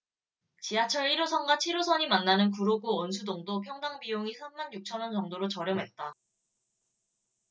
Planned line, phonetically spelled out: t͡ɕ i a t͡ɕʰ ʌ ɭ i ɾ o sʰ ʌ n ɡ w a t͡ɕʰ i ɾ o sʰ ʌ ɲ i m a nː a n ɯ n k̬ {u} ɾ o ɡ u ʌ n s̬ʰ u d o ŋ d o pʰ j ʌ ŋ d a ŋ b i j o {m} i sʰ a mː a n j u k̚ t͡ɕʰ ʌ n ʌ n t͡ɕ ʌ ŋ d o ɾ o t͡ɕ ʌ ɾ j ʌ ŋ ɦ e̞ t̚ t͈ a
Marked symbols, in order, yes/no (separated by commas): yes, no